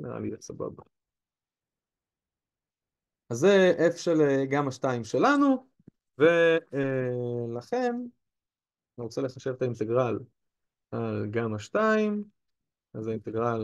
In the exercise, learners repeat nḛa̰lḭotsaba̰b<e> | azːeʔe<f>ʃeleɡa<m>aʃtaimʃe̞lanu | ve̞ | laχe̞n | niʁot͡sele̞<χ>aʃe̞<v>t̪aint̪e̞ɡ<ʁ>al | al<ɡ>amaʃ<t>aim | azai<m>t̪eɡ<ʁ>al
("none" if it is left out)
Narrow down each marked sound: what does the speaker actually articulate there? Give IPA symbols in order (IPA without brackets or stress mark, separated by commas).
a, f, m, χ, v, ʁ, ɡ, t, n, ʁ